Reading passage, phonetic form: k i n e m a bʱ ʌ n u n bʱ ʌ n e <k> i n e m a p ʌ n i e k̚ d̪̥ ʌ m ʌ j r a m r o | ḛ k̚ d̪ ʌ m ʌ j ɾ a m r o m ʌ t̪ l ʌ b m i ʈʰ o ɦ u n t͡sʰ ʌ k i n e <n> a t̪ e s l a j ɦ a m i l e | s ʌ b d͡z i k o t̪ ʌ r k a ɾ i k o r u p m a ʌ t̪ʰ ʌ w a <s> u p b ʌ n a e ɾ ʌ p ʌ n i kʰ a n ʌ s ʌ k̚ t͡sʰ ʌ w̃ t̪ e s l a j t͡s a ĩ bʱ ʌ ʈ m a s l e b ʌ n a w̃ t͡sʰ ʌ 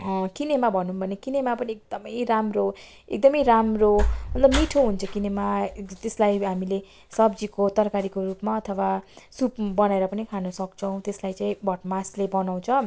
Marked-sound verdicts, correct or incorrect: correct, incorrect: m, correct

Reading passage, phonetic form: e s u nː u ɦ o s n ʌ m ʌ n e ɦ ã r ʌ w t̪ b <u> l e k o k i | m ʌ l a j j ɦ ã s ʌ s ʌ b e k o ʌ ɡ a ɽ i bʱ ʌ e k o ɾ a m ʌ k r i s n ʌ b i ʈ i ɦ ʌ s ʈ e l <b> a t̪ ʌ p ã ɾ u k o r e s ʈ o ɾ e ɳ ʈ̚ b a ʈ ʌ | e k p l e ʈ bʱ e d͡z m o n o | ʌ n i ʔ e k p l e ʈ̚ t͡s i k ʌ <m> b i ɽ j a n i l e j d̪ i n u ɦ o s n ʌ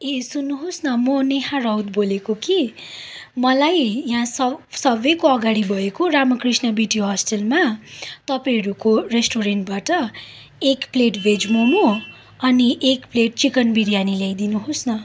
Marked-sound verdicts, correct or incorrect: incorrect: o, incorrect: m, incorrect: n

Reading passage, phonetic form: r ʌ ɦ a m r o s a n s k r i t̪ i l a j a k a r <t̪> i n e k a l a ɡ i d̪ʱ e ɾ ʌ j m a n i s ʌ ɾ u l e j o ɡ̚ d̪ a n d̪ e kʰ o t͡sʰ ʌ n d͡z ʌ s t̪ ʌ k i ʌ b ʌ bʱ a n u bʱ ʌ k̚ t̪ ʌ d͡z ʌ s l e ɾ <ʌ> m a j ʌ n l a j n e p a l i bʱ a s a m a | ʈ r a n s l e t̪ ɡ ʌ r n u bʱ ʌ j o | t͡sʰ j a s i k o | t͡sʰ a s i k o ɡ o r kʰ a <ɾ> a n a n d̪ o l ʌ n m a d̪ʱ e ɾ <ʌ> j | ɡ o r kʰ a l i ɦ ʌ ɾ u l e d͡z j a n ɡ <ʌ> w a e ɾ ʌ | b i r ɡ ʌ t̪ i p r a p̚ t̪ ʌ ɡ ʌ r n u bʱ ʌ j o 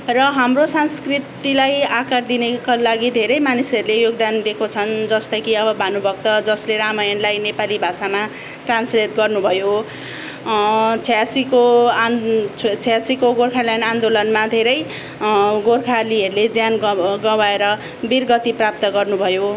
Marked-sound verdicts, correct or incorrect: incorrect: d̪, incorrect: a, incorrect: l, correct, correct

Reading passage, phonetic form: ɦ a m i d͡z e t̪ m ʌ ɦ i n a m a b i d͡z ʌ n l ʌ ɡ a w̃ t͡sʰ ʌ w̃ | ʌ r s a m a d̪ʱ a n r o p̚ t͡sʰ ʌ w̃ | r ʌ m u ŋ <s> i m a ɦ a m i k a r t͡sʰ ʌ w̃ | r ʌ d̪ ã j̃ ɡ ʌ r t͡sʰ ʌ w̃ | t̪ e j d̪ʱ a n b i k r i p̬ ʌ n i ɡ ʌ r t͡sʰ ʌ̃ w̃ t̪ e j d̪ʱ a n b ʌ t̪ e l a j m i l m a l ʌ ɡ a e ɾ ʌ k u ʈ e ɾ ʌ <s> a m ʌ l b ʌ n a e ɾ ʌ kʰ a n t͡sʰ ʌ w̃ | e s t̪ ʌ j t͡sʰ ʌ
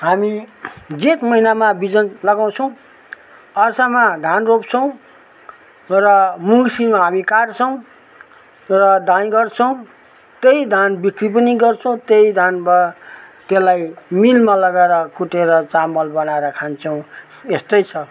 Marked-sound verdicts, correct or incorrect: correct, incorrect: t͡s

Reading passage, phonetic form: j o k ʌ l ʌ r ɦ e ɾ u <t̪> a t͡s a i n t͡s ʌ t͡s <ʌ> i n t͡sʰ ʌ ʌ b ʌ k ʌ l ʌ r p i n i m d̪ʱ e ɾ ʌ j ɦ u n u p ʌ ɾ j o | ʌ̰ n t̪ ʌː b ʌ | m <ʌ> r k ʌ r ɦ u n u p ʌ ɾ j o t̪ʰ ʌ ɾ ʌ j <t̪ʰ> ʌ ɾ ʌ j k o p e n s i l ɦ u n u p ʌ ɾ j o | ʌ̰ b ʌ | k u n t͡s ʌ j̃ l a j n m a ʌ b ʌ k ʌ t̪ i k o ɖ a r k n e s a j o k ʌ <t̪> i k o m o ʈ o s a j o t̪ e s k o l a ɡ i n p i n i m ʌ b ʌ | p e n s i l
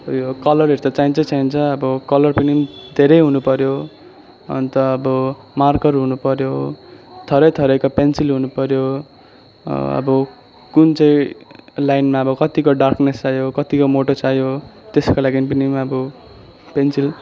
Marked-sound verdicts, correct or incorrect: correct, incorrect: a, incorrect: a, correct, correct

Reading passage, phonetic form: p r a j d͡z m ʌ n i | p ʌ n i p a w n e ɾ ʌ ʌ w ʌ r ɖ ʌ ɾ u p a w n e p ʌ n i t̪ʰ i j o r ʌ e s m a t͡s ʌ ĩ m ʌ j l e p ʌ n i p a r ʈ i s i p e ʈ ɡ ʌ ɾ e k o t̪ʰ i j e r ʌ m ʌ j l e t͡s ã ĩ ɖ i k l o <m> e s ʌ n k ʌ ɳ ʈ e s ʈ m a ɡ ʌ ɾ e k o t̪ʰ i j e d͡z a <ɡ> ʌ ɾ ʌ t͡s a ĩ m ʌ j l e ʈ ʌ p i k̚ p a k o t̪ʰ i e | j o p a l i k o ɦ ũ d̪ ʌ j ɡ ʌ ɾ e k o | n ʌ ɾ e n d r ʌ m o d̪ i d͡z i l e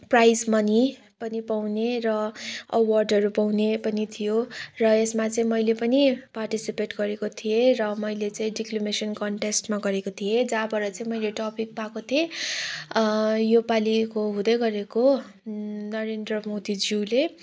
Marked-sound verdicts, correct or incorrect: correct, incorrect: b

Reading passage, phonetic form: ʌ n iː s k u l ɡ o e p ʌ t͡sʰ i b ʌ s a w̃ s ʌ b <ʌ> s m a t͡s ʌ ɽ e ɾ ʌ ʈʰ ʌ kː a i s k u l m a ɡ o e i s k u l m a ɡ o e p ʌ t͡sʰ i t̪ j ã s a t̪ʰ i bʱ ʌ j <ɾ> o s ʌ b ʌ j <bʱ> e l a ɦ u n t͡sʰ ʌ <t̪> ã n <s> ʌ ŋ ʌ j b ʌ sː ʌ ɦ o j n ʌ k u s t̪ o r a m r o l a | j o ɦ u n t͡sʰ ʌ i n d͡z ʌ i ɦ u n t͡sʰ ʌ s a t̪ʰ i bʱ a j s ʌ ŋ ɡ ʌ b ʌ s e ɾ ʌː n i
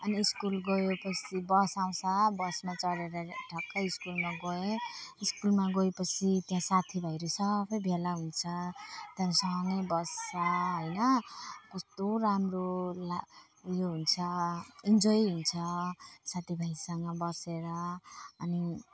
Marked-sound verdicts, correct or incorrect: correct, correct, correct, correct, correct

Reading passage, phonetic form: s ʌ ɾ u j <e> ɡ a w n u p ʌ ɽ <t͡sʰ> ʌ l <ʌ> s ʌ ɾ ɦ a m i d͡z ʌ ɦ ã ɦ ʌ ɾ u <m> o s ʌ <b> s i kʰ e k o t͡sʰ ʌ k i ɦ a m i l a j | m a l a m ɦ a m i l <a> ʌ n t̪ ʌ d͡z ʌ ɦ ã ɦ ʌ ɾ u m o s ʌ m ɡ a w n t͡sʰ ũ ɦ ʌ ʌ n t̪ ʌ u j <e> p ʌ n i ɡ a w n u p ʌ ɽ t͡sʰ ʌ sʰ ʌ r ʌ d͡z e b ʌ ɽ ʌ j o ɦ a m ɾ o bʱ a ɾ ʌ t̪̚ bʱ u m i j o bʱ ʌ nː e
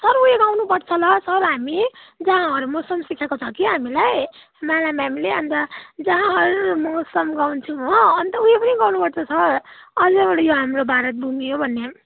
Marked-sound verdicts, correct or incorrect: correct, correct, correct, correct, incorrect: m, incorrect: e, correct

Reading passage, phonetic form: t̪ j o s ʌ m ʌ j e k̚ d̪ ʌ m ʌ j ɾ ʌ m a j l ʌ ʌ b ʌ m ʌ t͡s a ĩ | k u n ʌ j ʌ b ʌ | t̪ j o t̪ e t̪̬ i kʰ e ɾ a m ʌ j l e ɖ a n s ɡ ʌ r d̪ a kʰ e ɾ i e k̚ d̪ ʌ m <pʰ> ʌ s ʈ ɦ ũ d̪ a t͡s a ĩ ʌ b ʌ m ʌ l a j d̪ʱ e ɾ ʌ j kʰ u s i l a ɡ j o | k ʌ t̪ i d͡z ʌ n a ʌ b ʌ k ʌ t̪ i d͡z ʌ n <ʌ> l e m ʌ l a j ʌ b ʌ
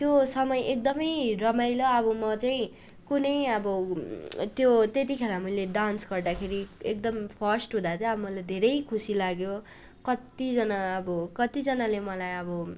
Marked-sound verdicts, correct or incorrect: correct, incorrect: a

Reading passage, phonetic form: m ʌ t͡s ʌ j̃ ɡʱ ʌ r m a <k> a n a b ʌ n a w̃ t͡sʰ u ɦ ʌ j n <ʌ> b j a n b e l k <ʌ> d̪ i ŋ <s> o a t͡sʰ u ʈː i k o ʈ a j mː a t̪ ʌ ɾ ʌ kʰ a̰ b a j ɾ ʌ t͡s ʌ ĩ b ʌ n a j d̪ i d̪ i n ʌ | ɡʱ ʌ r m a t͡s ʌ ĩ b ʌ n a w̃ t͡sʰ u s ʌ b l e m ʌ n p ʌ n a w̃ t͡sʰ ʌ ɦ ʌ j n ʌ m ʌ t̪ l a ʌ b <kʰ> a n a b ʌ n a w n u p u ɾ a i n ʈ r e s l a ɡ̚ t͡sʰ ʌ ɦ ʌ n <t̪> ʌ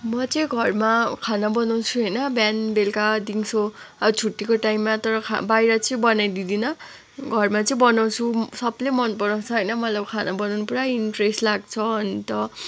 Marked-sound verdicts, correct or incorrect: incorrect: kʰ, correct, incorrect: a, correct, correct, correct

